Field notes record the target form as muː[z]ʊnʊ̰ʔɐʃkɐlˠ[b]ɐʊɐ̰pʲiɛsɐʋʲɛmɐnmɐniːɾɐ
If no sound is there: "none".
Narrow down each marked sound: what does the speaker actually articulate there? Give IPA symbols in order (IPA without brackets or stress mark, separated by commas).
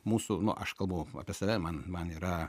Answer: s, b